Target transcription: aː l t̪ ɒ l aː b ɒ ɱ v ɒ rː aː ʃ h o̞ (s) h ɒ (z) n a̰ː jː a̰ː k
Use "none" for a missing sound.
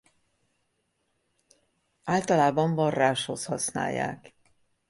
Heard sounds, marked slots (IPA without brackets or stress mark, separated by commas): s, s